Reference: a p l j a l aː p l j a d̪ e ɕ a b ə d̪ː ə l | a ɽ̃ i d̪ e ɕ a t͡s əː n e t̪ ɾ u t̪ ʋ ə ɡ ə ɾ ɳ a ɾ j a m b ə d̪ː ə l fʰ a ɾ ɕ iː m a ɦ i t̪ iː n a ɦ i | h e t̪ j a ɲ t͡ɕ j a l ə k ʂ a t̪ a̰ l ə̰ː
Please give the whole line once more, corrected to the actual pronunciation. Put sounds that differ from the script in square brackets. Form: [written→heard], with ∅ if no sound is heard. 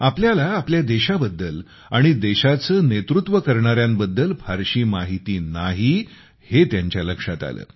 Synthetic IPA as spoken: a p l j a l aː p l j a d̪ e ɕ a b ə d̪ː ə l | a ɽ̃ i d̪ e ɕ a t͡s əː n e t̪ ɾ u t̪ ʋ ə [ɡ→k] ə ɾ ɳ a ɾ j a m b ə d̪ː ə l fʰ a ɾ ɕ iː m a ɦ i t̪ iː n a ɦ i | h e t̪ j a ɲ t͡ɕ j a l ə k ʂ a t̪ a̰ l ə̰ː